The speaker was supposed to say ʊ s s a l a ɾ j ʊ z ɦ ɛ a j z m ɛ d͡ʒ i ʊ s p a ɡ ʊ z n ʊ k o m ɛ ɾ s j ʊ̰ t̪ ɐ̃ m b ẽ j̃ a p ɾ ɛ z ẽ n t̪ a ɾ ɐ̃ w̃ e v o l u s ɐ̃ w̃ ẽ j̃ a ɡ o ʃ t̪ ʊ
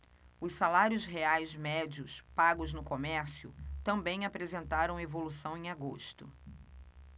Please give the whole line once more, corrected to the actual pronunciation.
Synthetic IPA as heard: ʊ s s a l a ɾ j ʊ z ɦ e a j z m ɛ d͡ʒ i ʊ s p a ɡ ʊ z n ʊ k o m ɛ ɾ s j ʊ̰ t̪ ɐ̃ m b ẽ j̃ a p ɾ e z ẽ n t̪ a ɾ ɐ̃ w̃ e v o l u s ɐ̃ w̃ ẽ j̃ a ɡ o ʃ t̪ ʊ